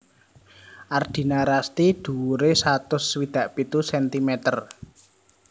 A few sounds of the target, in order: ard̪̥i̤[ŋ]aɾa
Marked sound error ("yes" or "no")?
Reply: yes